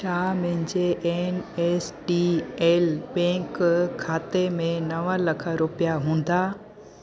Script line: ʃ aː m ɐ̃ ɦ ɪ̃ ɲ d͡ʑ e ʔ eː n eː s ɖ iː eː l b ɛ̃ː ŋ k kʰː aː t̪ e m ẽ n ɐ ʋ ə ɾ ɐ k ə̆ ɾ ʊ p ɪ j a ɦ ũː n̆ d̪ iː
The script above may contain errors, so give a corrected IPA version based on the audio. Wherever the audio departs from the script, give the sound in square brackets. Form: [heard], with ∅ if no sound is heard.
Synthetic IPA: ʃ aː m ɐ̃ ɦ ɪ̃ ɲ d͡ʑ e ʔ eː n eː s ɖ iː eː l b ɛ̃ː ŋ k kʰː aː t̪ e m ẽ n ɐ ʋ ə [l] ɐ [kʰ] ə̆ ɾ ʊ p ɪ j a ɦ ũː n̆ d̪ [aː]